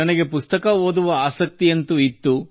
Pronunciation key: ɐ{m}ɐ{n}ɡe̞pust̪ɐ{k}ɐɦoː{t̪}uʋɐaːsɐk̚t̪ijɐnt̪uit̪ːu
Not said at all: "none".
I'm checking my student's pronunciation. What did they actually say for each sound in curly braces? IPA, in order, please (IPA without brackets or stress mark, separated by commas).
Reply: n, none, k, d̪